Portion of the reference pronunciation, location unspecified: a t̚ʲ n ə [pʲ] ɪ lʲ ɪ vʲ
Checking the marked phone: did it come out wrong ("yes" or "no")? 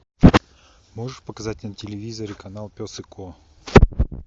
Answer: yes